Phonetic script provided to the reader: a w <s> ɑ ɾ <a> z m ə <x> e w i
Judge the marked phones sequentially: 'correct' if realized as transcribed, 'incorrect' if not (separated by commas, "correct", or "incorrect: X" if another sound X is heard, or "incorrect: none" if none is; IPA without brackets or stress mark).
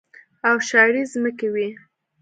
incorrect: ʃ, incorrect: i, incorrect: k